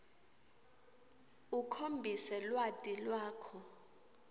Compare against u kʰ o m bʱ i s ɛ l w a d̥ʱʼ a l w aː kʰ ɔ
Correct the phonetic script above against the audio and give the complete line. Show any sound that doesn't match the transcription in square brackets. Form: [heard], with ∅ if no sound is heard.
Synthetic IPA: u kʰ o m bʱ i s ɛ l w a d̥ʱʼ [i] l w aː kʰ ɔ